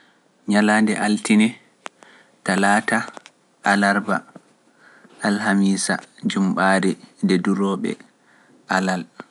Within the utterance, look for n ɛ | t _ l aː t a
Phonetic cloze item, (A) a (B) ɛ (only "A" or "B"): A